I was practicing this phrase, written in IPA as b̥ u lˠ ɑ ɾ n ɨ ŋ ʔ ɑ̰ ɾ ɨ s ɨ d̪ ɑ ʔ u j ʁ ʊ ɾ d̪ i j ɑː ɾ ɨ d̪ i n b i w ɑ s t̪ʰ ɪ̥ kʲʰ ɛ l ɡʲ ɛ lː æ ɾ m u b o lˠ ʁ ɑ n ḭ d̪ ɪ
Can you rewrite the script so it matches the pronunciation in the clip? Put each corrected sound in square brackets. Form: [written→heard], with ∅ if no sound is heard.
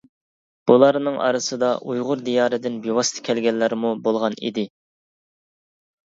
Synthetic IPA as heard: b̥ u lˠ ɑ ɾ n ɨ ŋ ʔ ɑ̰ ɾ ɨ s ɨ d̪ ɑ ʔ u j ʁ ʊ ɾ d̪ i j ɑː ɾ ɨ d̪ [i→ɪ] n b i w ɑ s t̪ʰ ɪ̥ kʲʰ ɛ l ɡʲ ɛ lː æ ɾ m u b o lˠ ʁ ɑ n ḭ d̪ ɪ